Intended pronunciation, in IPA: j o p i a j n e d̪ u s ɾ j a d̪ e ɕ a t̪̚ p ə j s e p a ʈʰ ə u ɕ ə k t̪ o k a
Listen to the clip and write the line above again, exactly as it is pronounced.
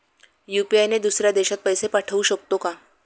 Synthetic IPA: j u p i a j n e d̪ u s ɾ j a d̪ e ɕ a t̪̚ p ə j s e p a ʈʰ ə u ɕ ə k t̪ o k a